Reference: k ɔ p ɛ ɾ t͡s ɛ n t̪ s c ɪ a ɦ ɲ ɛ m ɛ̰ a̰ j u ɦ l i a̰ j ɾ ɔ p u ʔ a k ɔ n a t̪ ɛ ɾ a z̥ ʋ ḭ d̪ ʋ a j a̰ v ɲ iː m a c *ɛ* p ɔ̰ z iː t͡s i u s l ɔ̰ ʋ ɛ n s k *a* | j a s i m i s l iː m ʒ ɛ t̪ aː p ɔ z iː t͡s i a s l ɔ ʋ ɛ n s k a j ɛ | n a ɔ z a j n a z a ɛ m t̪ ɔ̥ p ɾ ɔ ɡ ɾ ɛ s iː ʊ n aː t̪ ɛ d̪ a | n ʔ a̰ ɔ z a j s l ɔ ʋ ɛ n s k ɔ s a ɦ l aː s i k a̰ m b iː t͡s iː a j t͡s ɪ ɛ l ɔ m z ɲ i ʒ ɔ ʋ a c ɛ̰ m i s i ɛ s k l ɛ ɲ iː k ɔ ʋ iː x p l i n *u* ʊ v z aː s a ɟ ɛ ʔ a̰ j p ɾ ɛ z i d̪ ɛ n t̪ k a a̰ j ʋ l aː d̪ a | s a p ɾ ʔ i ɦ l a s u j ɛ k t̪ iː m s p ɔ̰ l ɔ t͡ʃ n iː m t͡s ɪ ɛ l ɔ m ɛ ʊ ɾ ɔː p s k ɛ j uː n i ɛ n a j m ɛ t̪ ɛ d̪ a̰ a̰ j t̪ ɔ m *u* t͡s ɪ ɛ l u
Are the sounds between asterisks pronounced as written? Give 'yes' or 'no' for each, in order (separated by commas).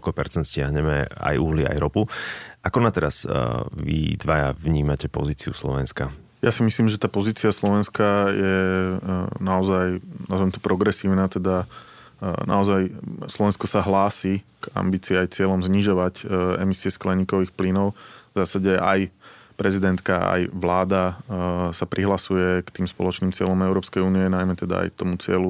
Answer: yes, yes, no, yes